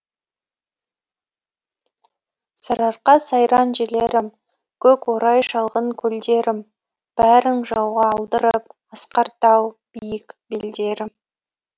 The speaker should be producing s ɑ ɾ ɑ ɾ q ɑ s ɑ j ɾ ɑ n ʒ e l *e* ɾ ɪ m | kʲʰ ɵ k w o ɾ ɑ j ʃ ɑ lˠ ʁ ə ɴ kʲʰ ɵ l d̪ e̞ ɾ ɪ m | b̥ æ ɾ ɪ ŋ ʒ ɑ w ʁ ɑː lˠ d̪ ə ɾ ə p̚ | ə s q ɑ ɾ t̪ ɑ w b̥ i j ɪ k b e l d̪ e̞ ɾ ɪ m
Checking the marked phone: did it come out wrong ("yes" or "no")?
no